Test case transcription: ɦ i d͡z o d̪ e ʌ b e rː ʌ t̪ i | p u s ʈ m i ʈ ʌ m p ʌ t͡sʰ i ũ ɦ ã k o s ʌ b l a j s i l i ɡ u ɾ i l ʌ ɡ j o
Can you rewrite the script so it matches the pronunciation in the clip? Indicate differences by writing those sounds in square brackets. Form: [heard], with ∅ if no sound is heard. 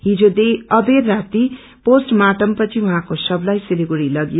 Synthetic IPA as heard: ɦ i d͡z o d̪ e ʌ b e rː [a] t̪ i | p [o] s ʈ m [a] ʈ ʌ m p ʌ t͡sʰ i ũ ɦ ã k o s ʌ b l a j s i l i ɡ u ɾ i l ʌ ɡ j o